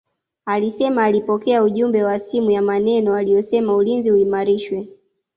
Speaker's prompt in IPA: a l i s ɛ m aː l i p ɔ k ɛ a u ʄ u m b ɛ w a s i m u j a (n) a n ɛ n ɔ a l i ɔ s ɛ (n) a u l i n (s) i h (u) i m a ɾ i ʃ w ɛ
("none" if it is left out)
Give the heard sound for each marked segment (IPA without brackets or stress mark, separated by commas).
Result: m, m, z, u